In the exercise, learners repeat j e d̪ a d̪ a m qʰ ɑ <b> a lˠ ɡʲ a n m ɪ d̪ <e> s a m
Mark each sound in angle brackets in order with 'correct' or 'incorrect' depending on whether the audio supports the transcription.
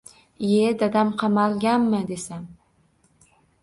incorrect, correct

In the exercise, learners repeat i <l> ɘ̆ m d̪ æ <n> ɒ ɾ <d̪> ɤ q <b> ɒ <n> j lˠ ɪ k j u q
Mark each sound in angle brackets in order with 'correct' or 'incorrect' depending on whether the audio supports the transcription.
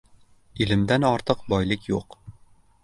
correct, correct, incorrect, correct, incorrect

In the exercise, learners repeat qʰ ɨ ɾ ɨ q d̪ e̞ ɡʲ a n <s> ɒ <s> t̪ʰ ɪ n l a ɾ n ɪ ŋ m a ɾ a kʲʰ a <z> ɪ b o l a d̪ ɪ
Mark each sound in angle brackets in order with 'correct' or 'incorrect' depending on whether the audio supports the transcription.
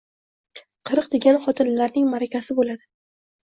incorrect, incorrect, incorrect

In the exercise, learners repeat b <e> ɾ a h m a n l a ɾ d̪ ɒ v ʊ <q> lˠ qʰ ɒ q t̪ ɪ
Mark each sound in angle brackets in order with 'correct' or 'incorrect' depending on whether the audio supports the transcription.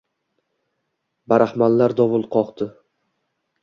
incorrect, incorrect

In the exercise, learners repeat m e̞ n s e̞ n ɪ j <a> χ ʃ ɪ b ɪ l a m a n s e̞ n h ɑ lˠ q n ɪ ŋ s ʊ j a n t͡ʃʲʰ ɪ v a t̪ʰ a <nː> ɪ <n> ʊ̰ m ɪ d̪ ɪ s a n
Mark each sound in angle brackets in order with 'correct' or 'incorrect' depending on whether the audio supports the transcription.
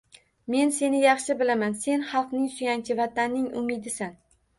incorrect, correct, incorrect

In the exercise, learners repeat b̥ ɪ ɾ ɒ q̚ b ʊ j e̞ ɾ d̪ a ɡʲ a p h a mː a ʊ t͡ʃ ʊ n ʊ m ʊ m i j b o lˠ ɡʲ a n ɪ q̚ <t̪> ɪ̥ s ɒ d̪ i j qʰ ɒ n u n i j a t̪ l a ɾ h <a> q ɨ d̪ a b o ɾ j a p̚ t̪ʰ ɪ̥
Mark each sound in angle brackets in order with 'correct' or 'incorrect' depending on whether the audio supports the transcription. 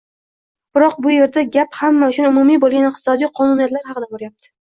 correct, incorrect

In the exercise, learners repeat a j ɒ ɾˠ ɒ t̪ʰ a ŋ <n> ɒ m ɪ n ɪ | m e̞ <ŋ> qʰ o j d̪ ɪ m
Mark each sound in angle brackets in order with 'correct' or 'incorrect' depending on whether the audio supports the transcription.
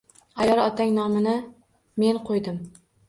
correct, incorrect

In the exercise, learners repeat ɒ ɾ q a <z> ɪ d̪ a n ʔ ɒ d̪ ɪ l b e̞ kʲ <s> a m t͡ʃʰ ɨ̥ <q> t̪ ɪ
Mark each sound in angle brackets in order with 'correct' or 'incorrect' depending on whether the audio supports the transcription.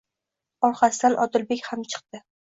incorrect, incorrect, correct

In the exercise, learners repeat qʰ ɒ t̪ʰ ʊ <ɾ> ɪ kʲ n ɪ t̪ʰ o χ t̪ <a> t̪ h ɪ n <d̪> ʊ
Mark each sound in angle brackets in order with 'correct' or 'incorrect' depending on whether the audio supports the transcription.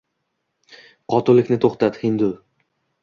incorrect, correct, correct

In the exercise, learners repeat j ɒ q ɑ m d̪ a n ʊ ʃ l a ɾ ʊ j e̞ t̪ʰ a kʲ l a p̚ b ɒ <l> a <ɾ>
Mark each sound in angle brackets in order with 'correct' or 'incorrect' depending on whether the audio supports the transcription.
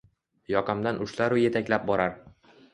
incorrect, correct

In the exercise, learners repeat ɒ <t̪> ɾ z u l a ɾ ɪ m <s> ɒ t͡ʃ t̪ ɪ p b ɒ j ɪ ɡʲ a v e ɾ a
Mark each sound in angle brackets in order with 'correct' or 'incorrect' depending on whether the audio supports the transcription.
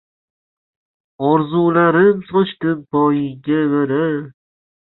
incorrect, correct

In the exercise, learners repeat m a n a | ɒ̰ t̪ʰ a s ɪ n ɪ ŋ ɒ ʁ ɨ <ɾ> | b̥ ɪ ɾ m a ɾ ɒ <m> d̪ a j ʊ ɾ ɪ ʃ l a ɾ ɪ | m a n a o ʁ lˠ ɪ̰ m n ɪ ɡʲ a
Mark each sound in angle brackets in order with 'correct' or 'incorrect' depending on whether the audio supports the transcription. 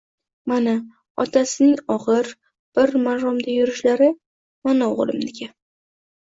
correct, correct

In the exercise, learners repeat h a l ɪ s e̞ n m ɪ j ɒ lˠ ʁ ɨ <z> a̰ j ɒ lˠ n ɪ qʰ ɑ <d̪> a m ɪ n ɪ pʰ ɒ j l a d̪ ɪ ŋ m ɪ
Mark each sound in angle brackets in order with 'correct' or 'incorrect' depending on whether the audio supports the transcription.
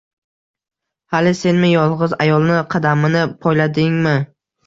correct, correct

